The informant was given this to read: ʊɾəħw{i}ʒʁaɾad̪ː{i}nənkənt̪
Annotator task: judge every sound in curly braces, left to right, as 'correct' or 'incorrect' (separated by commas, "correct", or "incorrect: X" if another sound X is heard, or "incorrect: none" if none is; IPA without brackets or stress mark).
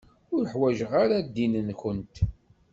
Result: incorrect: æ, correct